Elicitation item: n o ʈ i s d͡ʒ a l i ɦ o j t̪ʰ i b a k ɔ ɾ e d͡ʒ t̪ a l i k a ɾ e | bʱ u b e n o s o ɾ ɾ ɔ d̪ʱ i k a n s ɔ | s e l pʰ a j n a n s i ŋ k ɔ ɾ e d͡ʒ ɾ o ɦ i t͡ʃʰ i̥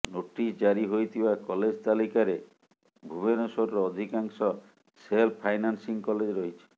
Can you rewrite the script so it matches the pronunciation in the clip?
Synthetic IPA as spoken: n o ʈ i s d͡ʒ a ɾ i ɦ o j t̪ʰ i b a k ɔ l e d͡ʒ t̪ a l i k a ɾ e | bʱ u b e n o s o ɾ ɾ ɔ d̪ʱ i k a ŋ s ɔ | s e l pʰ a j n a n s i ŋ k ɔ l e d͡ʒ ɾ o ɦ i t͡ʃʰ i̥